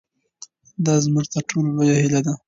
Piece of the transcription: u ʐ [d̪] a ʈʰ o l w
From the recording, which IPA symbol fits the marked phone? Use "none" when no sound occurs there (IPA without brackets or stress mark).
t̪